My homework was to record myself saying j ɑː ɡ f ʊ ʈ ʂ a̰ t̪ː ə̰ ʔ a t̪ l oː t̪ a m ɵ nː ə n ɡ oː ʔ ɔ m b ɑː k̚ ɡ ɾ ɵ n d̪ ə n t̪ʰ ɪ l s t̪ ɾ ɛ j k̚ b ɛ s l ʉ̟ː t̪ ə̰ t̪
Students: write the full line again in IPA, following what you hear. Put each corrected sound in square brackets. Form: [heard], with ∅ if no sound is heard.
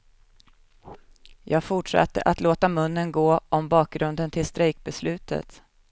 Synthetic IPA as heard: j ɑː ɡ f ʊ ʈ ʂ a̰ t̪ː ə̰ ʔ a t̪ l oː t̪ a m ɵ nː ə n ɡ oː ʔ ɔ m b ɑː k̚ ɡ ɾ ɵ n d̪ ə n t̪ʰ ɪ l s t̪ ɾ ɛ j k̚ b ɛ s l ʉ̟ː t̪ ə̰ t̪